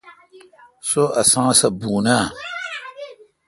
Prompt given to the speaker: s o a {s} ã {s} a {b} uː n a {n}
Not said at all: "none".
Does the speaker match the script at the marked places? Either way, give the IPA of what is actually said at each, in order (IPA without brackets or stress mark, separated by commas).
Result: s, s, b, none